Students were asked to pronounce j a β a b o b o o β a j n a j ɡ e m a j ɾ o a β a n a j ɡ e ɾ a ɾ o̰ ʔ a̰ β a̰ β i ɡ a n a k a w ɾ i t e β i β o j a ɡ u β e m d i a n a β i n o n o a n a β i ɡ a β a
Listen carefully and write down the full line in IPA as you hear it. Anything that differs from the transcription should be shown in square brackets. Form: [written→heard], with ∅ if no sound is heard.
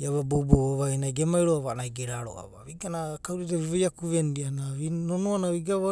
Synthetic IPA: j a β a b o b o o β a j n a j ɡ e m a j ɾ o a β a n a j ɡ e ɾ a ɾ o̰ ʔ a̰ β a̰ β i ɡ a n a k a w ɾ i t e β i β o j a [ɡ→k] u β e [m→n] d i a n a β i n o n o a n a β i ɡ a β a